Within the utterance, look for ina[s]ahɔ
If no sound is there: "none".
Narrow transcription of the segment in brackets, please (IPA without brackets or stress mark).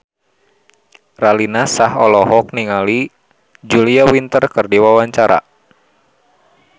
s